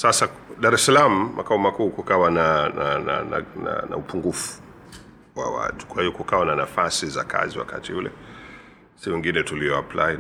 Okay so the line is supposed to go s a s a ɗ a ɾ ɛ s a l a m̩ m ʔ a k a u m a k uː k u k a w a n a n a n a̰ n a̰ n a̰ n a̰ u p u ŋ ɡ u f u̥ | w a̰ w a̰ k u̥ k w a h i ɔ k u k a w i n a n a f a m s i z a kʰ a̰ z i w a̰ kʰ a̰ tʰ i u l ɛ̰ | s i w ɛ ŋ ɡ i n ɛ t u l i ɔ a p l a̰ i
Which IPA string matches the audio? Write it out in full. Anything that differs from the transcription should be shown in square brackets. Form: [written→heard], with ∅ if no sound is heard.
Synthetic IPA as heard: s a s a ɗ a ɾ ɛ s a l a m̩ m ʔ a k a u m a k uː k u k a w a n a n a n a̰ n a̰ n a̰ n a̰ u p u ŋ ɡ u f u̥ | w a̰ w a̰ [k→t] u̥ k w a h i ɔ k u k a w [i→a] n a n a f a [m→∅] s i z a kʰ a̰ z i w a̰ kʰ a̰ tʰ i u l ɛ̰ | s i w ɛ ŋ ɡ i n ɛ t u l i ɔ a p l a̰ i